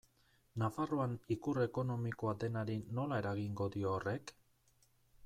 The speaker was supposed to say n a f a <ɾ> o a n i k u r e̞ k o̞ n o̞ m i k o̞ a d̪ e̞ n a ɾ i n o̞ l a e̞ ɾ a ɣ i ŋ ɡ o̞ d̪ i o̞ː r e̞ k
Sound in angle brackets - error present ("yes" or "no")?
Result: yes